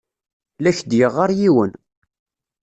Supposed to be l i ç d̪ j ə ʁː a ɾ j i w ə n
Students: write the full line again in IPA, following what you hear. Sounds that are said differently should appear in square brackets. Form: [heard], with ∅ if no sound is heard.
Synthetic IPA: l [æ] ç d̪ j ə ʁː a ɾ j i w ə n